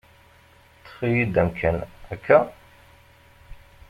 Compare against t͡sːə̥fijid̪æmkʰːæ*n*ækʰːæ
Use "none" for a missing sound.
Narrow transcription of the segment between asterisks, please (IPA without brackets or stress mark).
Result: n